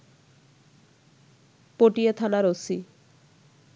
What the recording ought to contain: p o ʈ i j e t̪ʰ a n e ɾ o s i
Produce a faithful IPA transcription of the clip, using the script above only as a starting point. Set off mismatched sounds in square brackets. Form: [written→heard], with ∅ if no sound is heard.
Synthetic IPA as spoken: p o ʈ i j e t̪ʰ a n [e→a] ɾ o s i